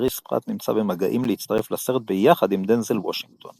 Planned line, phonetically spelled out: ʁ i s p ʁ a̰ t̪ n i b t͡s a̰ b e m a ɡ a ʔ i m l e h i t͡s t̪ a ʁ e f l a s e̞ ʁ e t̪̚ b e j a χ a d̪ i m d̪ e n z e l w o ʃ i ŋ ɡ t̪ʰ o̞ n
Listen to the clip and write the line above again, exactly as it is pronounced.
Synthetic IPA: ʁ i s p ʁ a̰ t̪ n i m t͡s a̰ b e m a ɡ a ʔ i m l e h i t͡s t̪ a ʁ e f l a s e̞ ʁ e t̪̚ b e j a χ a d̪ i m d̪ e n z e l w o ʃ i ŋ ɡ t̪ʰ o̞ n